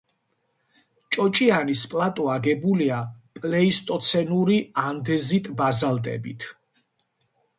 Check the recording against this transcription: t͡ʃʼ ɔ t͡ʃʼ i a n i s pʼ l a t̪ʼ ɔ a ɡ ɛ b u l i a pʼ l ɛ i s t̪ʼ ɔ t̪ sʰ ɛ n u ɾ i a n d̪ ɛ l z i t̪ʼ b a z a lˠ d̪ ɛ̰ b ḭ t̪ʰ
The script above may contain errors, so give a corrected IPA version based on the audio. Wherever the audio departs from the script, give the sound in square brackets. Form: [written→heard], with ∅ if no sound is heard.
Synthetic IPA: t͡ʃʼ ɔ t͡ʃʼ i a n i s pʼ l a t̪ʼ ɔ a ɡ ɛ b u l i a pʼ l ɛ i s t̪ʼ ɔ t̪ sʰ ɛ n u ɾ i a n d̪ ɛ [l→∅] z i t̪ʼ b a z a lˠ d̪ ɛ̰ b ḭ t̪ʰ